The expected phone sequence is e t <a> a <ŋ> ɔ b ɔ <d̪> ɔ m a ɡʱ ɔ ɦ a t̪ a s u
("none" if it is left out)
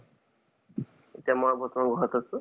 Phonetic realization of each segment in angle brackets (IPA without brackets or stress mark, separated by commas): i, m, t̪